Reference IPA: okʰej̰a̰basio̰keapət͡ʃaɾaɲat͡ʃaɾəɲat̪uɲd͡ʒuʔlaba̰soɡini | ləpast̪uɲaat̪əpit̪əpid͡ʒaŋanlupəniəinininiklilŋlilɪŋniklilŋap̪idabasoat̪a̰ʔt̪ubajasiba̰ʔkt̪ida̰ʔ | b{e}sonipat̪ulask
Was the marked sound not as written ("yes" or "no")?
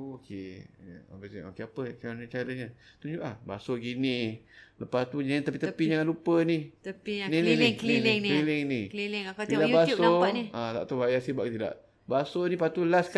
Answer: yes